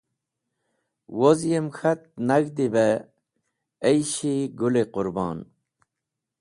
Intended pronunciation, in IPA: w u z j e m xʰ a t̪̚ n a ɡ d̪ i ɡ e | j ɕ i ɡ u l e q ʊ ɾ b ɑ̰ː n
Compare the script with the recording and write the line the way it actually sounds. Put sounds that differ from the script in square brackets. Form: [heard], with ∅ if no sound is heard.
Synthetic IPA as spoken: w [o] z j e m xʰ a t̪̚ n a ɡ d̪ i [b] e | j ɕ i ɡ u l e q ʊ ɾ b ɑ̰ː n

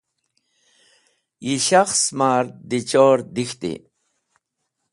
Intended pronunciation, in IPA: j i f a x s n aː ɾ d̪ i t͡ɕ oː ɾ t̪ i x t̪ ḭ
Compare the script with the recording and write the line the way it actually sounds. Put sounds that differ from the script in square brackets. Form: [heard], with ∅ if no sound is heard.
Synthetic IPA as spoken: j i [ɕ] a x s [m] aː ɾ d̪ i t͡ɕ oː ɾ [d̪] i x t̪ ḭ

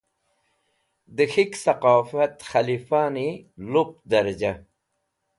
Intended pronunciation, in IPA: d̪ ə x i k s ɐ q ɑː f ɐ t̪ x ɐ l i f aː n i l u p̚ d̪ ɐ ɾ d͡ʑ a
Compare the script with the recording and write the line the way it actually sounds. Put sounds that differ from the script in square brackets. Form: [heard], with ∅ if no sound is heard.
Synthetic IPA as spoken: d̪ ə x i k s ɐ q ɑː f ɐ t̪ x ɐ l i f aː n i l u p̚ d̪ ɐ ɾ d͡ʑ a

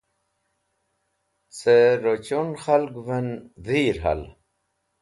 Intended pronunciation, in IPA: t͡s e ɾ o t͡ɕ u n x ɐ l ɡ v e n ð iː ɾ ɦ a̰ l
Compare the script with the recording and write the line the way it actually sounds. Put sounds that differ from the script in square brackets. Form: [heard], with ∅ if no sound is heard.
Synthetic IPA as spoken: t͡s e ɾ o t͡ɕ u n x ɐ l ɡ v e n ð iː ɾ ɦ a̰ l

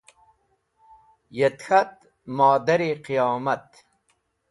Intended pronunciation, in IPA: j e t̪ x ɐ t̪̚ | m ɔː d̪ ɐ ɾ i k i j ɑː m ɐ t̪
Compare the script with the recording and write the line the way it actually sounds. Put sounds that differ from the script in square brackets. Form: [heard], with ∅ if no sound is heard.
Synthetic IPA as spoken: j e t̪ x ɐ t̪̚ | m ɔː d̪ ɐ ɾ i [q] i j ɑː m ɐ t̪

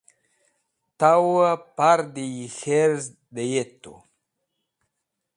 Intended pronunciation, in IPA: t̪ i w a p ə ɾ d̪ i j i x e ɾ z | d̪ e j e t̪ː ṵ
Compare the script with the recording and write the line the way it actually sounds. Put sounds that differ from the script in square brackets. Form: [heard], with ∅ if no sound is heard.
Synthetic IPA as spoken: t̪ [a] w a p [a] ɾ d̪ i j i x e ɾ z | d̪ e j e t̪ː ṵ

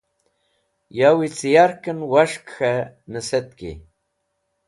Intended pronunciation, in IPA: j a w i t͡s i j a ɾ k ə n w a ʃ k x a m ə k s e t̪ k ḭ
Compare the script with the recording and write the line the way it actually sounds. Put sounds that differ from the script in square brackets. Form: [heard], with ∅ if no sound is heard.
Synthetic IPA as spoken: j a w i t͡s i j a ɾ k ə n w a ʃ k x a [n] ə [∅] s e t̪ k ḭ

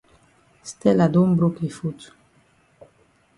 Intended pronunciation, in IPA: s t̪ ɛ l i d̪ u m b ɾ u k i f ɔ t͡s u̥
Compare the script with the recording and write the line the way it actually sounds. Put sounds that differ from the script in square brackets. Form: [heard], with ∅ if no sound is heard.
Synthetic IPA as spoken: s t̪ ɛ l [a] d̪ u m b ɾ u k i f [u] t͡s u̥

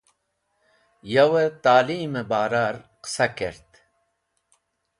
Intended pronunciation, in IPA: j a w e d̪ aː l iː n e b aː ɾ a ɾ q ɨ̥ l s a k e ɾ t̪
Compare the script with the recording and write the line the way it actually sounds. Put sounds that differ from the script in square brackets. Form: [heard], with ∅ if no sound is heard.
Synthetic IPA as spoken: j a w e [t̪] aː l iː [m] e b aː ɾ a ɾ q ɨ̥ [∅] s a k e ɾ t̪

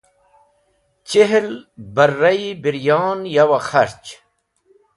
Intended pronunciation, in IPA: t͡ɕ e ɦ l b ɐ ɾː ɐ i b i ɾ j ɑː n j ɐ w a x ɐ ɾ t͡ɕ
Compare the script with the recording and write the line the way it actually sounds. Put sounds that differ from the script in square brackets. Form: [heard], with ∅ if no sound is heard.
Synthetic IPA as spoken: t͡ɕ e ɦ l b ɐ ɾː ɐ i b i ɾ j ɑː n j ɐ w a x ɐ ɾ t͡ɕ

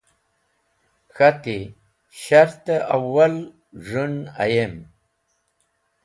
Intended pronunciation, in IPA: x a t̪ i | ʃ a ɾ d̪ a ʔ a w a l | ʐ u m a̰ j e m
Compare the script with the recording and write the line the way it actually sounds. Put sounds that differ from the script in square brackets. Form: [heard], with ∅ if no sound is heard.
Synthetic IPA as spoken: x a t̪ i | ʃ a ɾ [t̪] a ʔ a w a l | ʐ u [n] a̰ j e m

